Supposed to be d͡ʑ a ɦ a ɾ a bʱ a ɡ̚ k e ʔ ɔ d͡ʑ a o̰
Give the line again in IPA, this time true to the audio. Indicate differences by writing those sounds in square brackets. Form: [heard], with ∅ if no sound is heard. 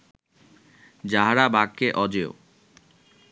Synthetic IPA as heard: d͡ʑ a ɦ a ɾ a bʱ a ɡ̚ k e ʔ ɔ d͡ʑ [e] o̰